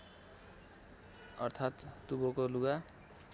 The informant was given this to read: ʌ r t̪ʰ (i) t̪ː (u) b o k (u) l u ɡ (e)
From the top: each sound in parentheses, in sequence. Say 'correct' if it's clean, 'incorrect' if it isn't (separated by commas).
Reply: incorrect, correct, incorrect, incorrect